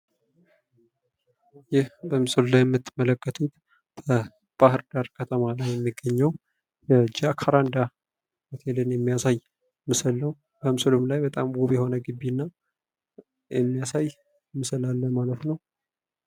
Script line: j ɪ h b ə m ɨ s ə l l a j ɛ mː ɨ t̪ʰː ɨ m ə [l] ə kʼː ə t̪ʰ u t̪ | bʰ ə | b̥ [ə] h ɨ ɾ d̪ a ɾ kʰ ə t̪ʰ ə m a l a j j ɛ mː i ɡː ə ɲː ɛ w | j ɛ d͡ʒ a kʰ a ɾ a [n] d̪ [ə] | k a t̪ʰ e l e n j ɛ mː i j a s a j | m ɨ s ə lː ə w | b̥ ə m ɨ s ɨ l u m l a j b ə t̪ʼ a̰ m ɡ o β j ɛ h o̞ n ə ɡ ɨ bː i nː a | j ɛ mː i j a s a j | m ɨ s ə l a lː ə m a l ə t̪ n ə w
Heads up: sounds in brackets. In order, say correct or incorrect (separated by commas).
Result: correct, incorrect, correct, incorrect